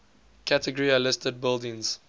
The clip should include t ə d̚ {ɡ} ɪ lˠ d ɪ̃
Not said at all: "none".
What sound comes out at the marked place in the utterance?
b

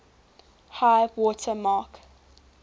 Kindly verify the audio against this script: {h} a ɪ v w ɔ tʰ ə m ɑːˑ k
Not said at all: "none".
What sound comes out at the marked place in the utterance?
h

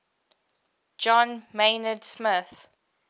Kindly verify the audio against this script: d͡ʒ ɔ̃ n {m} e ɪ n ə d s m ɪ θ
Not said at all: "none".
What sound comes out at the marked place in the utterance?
m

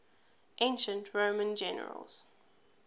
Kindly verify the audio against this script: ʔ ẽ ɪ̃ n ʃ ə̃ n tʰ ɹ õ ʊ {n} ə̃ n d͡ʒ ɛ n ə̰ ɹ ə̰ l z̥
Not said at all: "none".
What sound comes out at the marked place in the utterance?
m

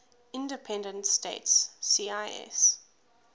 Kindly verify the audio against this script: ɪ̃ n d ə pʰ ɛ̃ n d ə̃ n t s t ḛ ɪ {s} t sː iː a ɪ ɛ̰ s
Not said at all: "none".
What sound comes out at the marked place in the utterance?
none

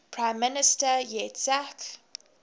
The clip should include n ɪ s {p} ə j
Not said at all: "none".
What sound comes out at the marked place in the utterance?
t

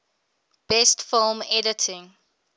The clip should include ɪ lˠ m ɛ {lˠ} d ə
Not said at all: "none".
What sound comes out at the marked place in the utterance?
none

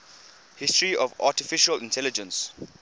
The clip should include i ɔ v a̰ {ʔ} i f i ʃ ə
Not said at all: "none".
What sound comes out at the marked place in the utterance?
t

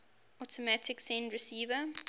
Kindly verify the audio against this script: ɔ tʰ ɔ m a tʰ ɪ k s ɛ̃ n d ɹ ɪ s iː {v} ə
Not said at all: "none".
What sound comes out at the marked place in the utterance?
v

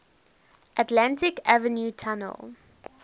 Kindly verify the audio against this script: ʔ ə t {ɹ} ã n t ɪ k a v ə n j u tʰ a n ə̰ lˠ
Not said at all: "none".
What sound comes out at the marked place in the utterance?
l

